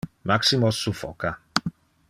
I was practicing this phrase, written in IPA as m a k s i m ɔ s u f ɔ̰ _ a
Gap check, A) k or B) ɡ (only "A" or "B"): A